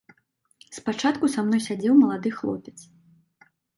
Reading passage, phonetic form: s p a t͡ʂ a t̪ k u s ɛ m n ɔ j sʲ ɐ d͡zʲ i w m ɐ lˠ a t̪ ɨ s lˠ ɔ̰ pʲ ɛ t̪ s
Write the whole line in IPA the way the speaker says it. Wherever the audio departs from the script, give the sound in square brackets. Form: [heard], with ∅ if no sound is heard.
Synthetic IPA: s p a t͡ʂ a t̪ k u s [a] m n ɔ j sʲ [a] d͡zʲ [ɛ] w m ɐ lˠ a [d̪] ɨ [x] lˠ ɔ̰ pʲ ɛ t̪ s